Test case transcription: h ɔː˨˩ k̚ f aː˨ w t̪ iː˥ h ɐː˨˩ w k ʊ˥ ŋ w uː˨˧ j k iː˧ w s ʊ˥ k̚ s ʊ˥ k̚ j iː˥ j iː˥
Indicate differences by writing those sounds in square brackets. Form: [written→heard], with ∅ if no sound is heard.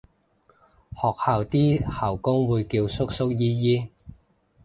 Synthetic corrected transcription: h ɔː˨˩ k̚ [f→h] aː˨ w t̪ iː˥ h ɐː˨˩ w k ʊ˥ ŋ w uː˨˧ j k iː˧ w s ʊ˥ k̚ s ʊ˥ k̚ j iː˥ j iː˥